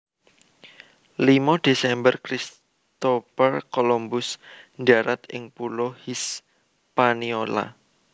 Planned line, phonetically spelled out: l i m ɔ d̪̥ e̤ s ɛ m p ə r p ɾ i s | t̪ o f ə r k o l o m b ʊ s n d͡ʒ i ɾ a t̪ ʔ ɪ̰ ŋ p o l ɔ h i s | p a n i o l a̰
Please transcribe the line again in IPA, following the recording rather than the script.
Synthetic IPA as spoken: l i m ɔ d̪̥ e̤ s ɛ m b ə r k ɾ i s | t̪ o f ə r k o l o m b ʊ s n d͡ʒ a ɾ a t̪ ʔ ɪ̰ ŋ p u l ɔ h i s | p a n i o l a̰

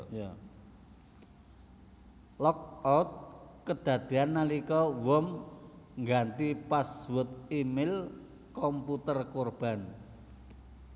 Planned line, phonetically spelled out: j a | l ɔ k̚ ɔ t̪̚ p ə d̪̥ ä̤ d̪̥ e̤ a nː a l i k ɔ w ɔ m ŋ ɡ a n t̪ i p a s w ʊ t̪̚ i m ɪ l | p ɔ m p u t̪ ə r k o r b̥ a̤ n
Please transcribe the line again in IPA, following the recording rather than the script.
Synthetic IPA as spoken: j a | l ɔ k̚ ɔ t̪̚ k ə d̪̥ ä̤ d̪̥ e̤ a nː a l i k ɔ w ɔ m ŋ ɡ a n t̪ i p a s w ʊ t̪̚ i m ɪ l | k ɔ m p u t̪ ə r k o r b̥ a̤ n

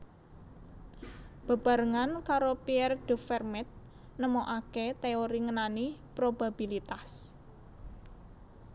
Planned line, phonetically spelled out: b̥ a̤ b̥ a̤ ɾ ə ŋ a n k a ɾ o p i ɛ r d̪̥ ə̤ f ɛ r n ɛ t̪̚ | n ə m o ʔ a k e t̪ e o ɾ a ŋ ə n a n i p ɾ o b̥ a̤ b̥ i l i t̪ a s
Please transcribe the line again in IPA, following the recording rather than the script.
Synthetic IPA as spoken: b̥ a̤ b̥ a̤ ɾ ə ŋ a n k a ɾ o p i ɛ r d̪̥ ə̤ f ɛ r m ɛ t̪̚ | n ə m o ʔ a k e t̪ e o ɾ i ŋ ə n a n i p ɾ o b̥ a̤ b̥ i l i t̪ a s

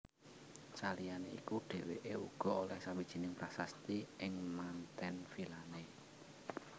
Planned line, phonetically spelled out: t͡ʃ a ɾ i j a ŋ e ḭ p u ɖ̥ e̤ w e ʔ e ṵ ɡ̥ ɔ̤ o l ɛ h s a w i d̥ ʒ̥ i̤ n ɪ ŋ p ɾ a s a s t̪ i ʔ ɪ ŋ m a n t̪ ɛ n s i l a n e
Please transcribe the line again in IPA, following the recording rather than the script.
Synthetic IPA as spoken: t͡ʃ a l i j a n e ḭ k u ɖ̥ e̤ w e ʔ e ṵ ɡ̥ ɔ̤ o l ɛ h s a w i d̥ ʒ̥ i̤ n ɪ ŋ p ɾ a s a s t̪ i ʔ ɪ ŋ m a n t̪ ɛ n f i l a n e

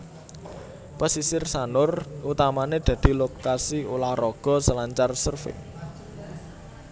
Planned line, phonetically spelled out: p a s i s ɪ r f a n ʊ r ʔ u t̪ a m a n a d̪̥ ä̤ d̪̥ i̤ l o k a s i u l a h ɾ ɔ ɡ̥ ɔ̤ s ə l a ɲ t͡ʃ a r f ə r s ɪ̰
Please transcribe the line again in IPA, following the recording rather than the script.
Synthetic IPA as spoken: p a s i s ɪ r s a n ʊ r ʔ u t̪ a m a n e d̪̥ ä̤ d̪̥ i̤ l o k a s i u l a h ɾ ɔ ɡ̥ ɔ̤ s ə l a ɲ t͡ʃ a r s ə r f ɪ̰

